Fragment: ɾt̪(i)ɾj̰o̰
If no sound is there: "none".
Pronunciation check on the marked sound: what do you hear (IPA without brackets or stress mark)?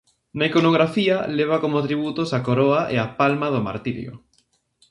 i